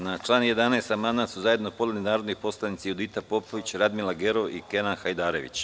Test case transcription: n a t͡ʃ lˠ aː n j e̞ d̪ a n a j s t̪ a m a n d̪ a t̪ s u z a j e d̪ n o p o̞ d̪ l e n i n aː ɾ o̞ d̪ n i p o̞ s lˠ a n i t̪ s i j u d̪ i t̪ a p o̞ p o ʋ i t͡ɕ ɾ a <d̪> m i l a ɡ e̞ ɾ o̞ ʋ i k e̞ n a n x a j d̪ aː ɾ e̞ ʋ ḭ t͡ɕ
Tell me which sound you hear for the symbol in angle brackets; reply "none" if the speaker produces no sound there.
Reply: d̪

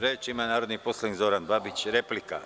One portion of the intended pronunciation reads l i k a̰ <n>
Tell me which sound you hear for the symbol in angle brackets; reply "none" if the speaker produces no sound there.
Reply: none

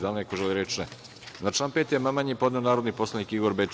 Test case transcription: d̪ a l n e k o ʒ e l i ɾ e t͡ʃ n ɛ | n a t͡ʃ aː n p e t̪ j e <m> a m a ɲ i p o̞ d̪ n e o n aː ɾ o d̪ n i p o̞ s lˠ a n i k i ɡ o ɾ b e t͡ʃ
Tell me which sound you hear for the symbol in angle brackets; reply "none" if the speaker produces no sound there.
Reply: m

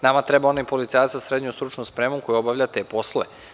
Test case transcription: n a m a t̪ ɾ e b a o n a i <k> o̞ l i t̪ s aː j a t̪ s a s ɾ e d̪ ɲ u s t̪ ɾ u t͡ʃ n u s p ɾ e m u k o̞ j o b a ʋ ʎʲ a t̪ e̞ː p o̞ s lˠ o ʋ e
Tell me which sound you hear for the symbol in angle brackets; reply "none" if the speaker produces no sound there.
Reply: p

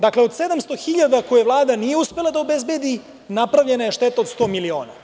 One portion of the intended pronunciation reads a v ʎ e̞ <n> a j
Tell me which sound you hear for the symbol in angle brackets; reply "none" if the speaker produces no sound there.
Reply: n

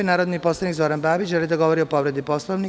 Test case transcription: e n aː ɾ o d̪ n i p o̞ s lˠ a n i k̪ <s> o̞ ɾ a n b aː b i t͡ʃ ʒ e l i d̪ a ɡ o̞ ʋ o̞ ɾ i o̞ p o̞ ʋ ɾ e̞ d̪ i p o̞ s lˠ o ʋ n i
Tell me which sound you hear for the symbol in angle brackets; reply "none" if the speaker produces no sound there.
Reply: z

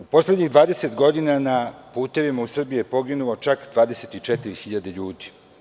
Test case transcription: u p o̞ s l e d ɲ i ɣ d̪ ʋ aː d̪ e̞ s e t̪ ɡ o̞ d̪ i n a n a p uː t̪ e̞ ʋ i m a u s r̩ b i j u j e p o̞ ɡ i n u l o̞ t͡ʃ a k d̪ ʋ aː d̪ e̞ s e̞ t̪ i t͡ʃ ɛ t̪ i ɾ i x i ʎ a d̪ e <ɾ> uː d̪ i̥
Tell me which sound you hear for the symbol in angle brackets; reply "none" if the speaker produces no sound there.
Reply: ʎ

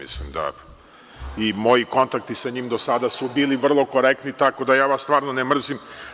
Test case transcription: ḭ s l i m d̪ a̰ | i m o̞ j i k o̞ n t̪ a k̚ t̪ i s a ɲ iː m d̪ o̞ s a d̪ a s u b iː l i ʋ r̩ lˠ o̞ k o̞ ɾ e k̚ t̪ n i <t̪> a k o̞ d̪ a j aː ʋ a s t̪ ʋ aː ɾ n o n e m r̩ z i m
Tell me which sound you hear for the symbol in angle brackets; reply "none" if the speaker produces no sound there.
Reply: t̪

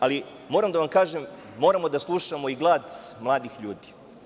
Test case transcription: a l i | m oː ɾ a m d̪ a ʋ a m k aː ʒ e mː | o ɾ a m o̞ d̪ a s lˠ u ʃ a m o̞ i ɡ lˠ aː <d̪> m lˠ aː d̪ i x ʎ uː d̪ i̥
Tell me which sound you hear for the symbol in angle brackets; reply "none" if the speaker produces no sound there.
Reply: d̪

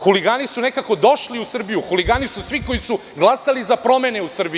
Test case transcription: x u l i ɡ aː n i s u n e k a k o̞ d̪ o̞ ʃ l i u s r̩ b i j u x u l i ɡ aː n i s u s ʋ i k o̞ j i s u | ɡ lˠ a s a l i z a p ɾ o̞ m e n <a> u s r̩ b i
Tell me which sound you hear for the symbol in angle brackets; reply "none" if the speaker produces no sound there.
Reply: e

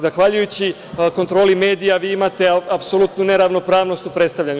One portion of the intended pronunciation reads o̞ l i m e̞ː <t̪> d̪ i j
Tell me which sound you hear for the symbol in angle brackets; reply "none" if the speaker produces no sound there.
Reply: none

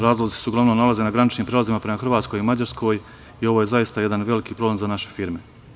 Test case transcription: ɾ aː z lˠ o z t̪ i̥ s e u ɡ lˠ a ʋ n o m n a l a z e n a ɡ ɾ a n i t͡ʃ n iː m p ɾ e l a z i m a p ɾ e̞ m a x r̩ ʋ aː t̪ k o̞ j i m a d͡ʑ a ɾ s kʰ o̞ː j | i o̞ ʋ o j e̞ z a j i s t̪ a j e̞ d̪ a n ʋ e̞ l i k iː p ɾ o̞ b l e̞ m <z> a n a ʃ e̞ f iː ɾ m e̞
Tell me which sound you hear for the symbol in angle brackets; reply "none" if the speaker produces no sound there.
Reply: z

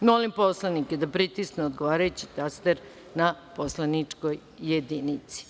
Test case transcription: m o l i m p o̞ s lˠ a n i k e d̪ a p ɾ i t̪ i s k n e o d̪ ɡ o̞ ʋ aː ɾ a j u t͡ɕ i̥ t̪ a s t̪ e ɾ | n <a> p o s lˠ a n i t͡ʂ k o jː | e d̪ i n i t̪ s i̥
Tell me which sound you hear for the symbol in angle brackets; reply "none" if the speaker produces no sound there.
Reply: a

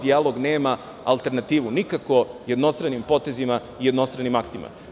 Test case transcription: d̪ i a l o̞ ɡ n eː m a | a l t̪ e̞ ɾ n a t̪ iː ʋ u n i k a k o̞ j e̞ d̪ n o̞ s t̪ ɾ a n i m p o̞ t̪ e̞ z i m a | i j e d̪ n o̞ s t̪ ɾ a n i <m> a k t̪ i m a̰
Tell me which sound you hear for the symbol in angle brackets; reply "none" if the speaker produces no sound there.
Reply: m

